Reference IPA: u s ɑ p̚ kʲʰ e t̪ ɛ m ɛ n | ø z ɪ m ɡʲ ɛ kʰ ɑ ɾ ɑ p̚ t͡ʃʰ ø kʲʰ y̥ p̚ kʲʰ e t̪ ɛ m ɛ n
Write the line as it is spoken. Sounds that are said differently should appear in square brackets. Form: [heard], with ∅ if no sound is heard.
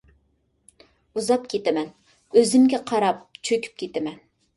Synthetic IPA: u [z] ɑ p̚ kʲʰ e t̪ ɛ m ɛ n | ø z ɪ m ɡʲ ɛ [qʰ] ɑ ɾ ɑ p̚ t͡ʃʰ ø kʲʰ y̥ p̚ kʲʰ e t̪ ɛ m ɛ n